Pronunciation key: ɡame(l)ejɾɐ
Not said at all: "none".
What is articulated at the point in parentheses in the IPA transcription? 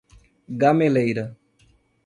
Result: l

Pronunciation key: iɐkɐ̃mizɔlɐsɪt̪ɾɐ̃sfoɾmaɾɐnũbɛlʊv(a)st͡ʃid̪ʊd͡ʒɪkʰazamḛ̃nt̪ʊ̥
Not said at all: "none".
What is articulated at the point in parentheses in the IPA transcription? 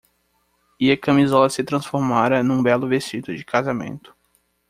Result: e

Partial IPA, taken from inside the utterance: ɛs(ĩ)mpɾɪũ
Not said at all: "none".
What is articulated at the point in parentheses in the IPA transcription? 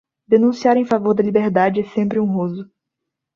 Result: ẽ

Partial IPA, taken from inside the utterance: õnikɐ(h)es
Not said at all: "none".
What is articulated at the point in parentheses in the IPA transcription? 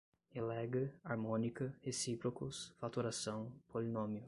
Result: h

